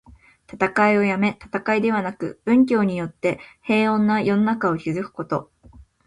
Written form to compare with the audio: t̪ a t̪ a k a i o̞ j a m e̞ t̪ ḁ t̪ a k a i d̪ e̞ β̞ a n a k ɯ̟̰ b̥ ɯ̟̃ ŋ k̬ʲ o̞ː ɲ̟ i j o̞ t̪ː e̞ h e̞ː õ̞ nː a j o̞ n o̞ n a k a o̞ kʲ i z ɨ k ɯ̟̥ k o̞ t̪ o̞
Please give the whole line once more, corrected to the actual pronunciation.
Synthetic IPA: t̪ a t̪ a k a i o̞ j a m e̞ t̪ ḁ t̪ a k a i d̪ e̞ β̞ a n a k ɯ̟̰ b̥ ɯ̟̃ ŋ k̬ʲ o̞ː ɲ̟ i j o̞ t̪ː e̞ h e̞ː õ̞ nː a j o̞ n o̞ n a k a o̞ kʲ i z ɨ k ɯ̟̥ k o̞ t̪ o̞